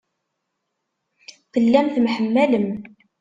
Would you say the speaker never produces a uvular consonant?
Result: yes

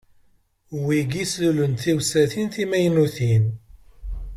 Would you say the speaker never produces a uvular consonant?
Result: yes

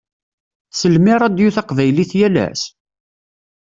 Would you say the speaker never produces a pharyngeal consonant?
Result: yes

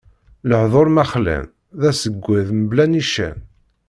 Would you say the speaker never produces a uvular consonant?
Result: no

